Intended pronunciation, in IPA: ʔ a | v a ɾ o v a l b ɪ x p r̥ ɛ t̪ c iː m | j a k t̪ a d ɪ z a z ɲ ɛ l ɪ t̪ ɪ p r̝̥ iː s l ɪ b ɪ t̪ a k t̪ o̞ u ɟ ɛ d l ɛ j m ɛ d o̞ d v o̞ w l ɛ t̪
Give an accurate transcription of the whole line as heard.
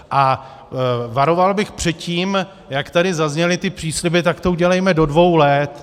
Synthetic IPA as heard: ʔ a | v a ɾ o v a l b ɪ x p r̥ ɛ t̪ c iː m | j a k t̪ a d ɪ z a z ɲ ɛ l ɪ t̪ ɪ p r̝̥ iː s l ɪ b ɪ t̪ a k t̪ o̞ u ɟ ɛ l ɛ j m ɛ d o̞ d v o̞ w l ɛ t̪